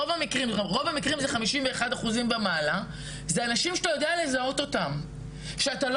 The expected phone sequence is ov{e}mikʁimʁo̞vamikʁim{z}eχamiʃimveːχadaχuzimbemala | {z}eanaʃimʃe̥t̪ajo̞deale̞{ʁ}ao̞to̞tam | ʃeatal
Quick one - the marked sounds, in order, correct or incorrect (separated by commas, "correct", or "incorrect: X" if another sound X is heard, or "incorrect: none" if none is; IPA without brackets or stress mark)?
incorrect: a, correct, correct, incorrect: z